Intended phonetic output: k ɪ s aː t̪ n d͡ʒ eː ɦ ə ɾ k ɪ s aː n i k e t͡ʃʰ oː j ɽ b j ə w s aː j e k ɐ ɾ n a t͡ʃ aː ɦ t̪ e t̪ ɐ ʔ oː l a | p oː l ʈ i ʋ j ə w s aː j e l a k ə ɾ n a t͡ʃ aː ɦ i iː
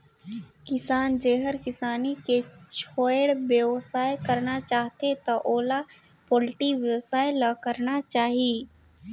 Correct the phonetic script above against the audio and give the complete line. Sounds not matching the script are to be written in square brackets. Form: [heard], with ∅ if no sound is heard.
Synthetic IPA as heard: k ɪ s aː [∅] n d͡ʒ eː ɦ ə ɾ k ɪ s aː n i k e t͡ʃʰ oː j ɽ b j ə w s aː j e k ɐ ɾ n a t͡ʃ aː ɦ t̪ e t̪ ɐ ʔ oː l a | p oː l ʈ i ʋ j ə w s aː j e l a k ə ɾ n a t͡ʃ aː ɦ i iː